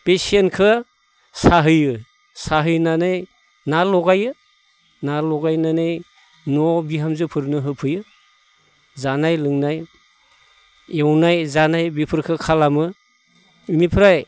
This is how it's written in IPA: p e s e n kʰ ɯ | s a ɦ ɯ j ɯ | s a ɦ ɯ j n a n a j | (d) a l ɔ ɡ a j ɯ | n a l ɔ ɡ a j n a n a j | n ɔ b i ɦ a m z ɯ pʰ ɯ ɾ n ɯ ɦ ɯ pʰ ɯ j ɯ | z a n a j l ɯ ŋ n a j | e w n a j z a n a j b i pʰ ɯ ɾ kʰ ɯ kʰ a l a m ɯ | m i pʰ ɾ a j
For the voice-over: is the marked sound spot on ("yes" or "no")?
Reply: no